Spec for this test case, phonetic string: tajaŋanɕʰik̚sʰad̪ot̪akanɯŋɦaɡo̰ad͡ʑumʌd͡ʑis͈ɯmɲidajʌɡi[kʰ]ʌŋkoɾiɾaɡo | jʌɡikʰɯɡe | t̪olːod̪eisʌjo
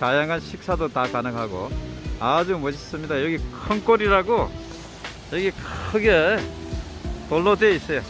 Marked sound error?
no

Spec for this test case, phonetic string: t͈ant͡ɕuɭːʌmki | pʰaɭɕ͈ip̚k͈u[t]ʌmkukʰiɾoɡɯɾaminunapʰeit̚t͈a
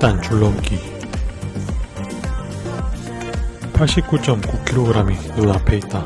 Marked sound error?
yes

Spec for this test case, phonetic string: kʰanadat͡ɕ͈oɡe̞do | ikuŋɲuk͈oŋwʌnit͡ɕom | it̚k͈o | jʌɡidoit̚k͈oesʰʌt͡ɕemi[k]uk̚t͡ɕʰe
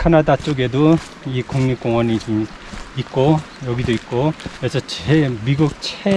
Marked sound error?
yes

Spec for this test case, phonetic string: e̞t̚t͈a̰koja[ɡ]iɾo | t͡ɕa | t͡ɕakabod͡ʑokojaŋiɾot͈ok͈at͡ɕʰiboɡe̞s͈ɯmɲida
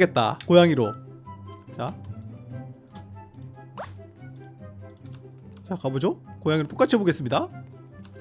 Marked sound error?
yes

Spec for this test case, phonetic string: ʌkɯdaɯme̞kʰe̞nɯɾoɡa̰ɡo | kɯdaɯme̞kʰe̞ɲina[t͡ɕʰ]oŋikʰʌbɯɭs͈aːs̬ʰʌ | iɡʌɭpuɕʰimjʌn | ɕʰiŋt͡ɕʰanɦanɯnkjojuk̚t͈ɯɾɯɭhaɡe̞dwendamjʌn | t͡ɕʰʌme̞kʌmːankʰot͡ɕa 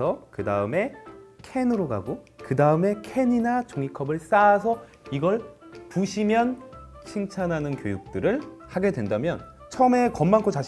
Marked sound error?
yes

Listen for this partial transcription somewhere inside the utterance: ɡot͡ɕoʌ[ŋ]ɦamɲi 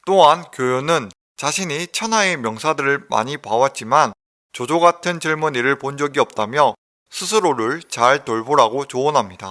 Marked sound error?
yes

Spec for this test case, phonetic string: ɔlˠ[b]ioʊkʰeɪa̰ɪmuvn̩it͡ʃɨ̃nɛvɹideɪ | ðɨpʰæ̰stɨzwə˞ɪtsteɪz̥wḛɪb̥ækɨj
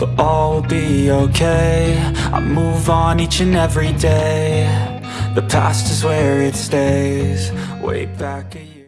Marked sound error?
no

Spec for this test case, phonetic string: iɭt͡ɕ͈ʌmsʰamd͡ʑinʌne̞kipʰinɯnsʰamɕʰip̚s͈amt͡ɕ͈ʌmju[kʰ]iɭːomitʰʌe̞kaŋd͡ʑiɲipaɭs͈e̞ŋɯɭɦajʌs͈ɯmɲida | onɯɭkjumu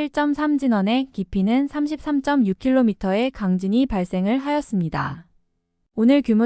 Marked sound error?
no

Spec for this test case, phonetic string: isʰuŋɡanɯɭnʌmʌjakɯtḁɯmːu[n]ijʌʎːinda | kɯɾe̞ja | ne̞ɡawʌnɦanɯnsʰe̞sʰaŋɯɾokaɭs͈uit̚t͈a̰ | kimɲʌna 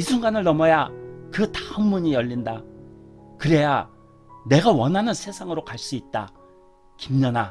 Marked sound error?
yes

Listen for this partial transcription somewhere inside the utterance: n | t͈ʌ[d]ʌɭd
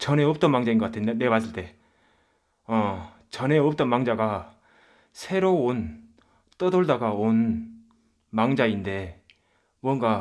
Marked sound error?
no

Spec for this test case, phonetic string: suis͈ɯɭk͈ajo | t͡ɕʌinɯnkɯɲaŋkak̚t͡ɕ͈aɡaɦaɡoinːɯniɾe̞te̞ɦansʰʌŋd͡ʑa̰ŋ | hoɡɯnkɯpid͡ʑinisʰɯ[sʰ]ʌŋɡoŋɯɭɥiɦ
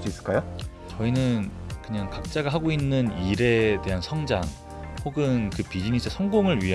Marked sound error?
no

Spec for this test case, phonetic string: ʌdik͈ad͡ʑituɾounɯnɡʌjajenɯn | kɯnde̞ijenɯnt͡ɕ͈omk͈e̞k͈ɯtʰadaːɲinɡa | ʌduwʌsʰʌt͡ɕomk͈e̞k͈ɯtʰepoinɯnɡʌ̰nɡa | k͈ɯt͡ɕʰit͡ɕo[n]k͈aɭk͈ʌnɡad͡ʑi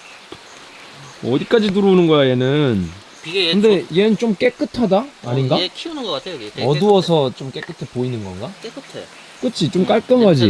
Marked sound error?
yes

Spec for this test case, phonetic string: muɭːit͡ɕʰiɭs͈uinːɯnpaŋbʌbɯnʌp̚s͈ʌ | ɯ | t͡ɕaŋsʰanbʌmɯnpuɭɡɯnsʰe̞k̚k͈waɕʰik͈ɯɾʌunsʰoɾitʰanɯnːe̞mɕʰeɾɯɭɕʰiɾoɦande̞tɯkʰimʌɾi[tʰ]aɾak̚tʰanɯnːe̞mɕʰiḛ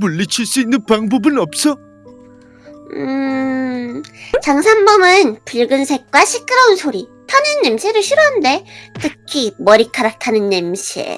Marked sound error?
yes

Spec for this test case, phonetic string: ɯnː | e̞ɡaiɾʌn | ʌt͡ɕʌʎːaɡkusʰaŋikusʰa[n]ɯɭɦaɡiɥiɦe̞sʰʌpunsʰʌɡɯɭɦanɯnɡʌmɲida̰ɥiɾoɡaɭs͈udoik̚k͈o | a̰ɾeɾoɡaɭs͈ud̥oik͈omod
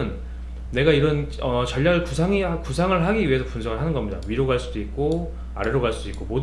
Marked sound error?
yes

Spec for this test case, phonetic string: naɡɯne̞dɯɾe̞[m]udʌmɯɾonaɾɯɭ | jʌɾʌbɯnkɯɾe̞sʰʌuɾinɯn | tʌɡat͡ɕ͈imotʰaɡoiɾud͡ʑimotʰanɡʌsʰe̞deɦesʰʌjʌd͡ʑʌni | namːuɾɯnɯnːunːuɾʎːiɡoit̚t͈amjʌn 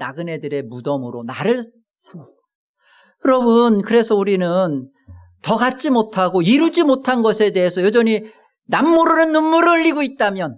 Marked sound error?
no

